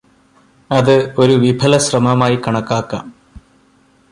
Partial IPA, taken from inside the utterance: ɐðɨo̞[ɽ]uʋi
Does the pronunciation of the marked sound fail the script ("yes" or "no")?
yes